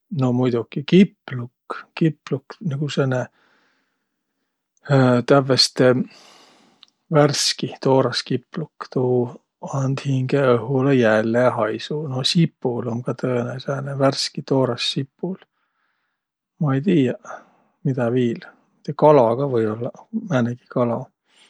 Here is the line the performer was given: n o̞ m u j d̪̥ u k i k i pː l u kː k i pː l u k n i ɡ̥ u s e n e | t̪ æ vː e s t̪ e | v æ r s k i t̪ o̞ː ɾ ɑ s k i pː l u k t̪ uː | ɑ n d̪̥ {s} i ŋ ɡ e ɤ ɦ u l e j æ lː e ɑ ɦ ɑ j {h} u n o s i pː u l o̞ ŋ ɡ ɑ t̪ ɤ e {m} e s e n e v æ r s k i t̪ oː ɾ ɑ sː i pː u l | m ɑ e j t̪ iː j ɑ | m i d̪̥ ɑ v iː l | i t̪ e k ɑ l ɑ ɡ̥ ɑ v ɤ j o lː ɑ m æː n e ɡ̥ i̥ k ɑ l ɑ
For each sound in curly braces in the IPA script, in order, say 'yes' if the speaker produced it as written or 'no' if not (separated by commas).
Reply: no, no, no